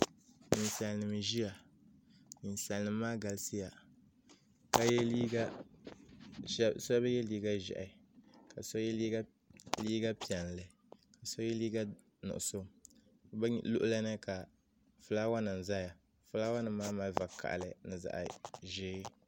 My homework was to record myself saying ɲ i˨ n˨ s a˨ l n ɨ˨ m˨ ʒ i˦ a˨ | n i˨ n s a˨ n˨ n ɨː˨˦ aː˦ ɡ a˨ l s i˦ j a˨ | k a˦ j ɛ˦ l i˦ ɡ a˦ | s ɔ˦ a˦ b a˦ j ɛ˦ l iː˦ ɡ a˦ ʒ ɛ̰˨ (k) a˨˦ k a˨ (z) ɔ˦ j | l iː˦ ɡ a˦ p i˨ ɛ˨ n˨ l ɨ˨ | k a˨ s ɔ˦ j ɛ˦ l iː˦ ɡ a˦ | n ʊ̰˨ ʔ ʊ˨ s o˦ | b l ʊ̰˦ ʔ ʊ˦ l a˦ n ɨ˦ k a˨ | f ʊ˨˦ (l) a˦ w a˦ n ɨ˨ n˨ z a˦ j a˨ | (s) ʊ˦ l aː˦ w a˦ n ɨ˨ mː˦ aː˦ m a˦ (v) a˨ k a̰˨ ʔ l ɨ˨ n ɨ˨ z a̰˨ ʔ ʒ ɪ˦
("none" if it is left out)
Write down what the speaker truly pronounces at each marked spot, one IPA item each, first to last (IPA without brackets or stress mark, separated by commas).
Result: ʔ, s, l, f, v